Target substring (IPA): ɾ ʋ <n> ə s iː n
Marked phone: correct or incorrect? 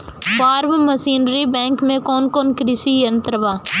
incorrect: m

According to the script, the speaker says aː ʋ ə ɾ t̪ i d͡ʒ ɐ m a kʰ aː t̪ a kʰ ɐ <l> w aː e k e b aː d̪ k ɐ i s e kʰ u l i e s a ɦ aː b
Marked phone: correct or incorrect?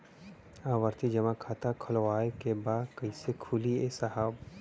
correct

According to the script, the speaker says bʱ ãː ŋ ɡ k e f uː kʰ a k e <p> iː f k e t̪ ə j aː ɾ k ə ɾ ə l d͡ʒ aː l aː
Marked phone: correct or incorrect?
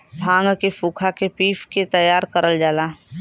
correct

